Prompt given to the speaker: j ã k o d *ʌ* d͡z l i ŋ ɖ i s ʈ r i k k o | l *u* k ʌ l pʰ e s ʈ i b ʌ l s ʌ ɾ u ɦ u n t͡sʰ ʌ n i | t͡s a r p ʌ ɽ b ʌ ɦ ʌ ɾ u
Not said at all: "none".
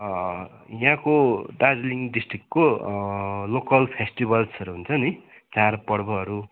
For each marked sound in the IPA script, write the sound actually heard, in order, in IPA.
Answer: a, o

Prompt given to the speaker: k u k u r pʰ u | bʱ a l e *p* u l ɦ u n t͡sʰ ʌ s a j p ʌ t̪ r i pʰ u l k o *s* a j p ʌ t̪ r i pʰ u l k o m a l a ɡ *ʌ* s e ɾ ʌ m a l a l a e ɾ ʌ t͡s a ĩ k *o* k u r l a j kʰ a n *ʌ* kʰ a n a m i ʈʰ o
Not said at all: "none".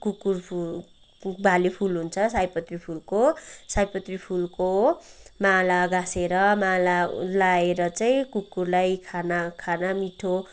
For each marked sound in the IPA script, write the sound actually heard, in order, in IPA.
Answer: pʰ, s, a, u, a

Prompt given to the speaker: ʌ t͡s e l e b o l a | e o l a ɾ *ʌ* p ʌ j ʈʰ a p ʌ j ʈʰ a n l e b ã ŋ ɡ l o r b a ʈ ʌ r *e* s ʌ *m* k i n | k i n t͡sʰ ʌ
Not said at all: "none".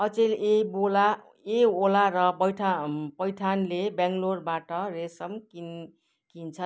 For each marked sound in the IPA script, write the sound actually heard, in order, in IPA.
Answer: ʌ, e, m

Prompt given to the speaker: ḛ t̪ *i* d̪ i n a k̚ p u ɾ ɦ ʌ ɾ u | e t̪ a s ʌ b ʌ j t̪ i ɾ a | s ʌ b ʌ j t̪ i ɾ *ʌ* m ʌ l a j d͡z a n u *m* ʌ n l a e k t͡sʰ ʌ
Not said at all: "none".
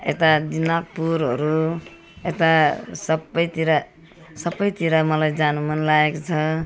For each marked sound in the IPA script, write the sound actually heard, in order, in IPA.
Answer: a, a, m

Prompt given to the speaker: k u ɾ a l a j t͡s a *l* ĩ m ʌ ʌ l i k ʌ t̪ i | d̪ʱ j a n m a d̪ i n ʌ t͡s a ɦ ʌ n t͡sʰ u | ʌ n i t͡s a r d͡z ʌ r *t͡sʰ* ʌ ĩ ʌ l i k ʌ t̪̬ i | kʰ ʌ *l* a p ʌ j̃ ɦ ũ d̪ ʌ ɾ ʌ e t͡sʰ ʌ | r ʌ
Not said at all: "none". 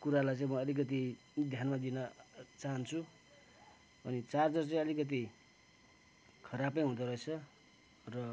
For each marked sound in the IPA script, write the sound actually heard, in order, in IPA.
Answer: none, t͡s, ɾ

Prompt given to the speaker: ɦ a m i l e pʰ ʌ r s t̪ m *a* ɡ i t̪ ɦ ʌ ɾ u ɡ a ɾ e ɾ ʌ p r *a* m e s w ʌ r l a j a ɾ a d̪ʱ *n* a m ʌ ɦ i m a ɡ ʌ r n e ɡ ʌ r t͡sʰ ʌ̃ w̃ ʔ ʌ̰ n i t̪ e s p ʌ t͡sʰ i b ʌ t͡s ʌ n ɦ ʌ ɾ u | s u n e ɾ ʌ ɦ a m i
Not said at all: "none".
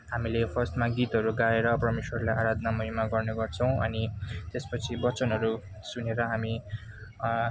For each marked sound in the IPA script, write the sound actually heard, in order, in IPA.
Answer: a, ʌ, n

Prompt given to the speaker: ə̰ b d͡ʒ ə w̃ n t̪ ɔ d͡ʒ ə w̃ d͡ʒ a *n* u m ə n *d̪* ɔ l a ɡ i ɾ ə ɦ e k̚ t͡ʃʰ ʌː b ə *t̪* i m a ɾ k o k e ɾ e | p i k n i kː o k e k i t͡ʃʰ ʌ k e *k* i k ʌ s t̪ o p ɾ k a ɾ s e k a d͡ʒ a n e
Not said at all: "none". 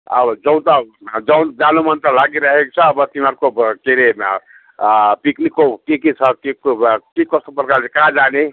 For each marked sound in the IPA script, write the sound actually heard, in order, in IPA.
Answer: n, t̪, t̪, k

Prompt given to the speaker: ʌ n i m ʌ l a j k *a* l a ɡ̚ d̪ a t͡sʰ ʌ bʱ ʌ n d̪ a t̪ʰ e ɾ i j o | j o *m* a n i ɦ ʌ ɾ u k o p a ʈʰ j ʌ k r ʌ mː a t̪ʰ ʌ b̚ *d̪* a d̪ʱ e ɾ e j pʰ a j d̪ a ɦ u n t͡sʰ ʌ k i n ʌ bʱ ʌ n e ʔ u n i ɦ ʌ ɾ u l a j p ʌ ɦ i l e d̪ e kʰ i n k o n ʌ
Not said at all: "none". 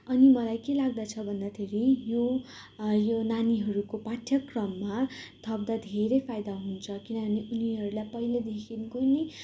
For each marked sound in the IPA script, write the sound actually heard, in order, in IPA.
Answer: e, n, d̪

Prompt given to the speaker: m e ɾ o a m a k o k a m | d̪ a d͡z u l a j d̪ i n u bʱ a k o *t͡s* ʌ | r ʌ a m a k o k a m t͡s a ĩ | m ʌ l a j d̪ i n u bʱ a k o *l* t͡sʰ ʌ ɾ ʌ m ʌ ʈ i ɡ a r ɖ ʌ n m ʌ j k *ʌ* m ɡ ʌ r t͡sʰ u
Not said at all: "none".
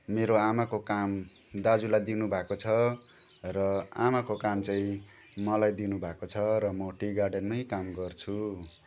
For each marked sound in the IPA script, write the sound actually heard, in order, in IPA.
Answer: t͡sʰ, none, a

